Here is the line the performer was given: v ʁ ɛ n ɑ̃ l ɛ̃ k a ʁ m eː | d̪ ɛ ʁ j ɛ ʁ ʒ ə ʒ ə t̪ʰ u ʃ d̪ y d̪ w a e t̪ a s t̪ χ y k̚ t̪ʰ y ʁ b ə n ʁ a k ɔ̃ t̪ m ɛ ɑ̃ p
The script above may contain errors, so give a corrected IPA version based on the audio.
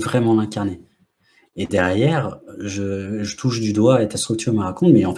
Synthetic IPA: v ʁ ɛ m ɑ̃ l ɛ̃ k a ʁ n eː | d̪ ɛ ʁ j ɛ ʁ ʒ ə ʒ ə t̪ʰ u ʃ d̪ y d̪ w a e t̪ a s t̪ χ y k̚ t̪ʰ y ʁ m ə ʁ a k ɔ̃ t̪ m ɛ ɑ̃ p